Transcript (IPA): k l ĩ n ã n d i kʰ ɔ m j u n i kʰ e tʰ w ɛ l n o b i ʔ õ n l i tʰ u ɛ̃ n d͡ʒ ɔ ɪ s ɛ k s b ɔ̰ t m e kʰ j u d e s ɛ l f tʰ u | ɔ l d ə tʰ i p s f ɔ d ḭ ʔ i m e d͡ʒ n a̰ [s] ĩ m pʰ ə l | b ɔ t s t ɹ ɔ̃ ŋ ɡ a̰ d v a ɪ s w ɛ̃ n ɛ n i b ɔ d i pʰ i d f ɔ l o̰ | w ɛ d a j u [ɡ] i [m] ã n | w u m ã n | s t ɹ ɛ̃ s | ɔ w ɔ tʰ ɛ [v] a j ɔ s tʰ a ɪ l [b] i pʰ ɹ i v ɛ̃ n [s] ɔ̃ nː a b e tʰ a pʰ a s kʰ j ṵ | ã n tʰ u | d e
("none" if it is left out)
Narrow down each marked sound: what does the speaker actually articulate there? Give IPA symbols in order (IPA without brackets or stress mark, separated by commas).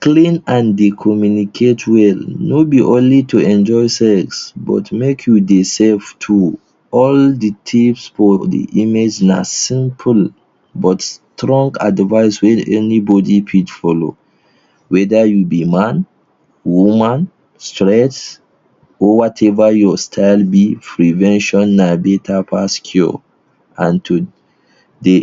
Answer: s, b, m, v, b, ʃ